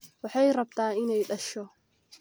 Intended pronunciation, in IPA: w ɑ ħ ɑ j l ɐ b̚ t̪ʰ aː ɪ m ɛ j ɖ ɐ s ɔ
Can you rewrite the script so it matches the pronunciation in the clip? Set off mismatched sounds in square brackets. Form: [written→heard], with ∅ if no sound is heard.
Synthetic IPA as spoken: w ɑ ħ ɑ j [l→r] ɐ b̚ t̪ʰ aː ɪ [m→n] ɛ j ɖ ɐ [s→ʃ] ɔ